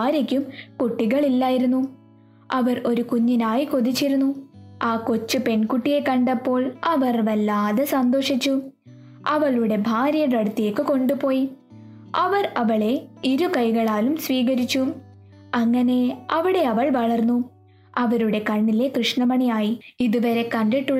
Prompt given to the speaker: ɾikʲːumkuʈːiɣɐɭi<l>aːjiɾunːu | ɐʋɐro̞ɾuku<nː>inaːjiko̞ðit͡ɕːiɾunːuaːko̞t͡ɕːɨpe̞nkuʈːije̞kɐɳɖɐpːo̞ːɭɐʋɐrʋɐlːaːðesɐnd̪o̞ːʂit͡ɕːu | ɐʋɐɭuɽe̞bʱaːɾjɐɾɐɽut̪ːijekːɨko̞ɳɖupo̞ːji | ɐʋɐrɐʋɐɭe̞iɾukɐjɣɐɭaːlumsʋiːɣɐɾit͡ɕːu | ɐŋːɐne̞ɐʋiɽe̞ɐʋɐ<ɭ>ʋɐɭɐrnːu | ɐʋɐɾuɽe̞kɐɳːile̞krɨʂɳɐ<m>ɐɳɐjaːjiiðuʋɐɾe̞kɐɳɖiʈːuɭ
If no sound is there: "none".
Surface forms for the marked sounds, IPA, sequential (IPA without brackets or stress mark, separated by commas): lː, ɲː, ɭ, m